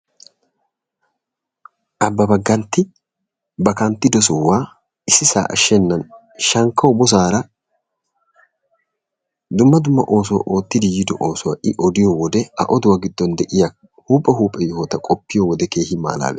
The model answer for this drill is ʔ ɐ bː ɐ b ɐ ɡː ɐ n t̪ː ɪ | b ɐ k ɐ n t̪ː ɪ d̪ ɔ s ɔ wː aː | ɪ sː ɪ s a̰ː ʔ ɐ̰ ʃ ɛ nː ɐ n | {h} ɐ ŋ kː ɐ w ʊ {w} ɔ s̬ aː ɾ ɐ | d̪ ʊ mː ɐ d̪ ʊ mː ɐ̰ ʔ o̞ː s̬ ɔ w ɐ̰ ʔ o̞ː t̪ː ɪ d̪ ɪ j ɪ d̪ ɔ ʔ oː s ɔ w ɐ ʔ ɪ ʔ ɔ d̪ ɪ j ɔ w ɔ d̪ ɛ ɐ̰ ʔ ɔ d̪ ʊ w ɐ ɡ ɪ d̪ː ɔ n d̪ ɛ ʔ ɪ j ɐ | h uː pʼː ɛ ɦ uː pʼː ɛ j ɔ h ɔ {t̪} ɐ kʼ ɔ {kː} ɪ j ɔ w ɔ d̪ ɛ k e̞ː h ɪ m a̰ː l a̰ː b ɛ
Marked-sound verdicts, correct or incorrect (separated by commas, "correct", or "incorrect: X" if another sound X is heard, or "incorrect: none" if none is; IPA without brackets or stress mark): incorrect: ʃ, incorrect: b, correct, incorrect: pː